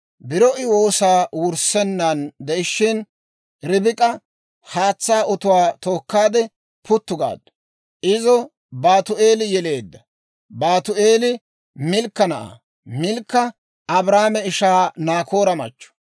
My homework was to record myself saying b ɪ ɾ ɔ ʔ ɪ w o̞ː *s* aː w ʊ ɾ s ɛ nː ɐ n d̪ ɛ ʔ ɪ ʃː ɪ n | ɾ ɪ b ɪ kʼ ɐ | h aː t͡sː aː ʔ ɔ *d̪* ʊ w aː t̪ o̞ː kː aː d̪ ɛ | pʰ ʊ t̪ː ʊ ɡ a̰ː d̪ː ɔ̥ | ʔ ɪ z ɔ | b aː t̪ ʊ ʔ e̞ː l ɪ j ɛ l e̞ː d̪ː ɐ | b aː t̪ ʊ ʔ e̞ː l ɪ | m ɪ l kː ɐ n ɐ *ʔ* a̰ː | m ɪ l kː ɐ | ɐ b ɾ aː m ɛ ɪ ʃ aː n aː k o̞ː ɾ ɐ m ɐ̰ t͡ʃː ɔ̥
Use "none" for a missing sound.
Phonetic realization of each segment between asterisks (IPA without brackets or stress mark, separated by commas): s, t̪, ʔ